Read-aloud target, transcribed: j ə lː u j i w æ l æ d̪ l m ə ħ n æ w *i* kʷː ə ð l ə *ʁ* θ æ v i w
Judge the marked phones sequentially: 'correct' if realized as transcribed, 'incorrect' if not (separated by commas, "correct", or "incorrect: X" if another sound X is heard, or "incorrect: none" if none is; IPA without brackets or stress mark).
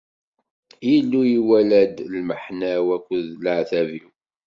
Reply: incorrect: æ, incorrect: ʕ